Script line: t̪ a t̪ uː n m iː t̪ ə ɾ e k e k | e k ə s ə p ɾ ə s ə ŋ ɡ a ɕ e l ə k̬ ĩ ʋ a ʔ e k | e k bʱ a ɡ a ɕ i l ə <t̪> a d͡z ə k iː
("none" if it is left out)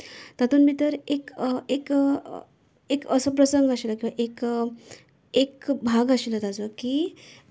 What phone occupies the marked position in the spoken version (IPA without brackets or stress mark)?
t̪